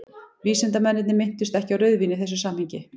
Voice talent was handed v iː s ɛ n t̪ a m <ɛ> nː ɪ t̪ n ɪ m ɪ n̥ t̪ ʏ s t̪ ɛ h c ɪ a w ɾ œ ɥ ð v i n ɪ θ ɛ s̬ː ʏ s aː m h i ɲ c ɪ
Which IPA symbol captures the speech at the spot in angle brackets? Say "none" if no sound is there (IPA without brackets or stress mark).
ɛ